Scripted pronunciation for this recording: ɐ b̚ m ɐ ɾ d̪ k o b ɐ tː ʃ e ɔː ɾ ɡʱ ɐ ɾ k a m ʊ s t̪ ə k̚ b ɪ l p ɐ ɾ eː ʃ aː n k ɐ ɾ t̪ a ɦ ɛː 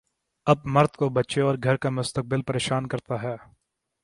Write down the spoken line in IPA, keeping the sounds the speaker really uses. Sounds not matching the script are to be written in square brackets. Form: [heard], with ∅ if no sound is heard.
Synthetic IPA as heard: ɐ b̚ m ɐ ɾ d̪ k o b ɐ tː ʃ e ɔː ɾ ɡʱ ɐ ɾ k a m ʊ s t̪ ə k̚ b ɪ l p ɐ ɾ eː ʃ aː n k ɐ ɾ t̪ a ɦ ɛː